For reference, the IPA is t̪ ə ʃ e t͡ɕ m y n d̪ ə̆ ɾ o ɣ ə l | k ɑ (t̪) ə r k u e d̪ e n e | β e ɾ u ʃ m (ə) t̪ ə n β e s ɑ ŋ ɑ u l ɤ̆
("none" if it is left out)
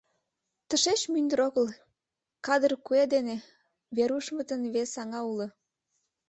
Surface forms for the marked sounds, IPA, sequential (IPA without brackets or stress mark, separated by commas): d̪, ə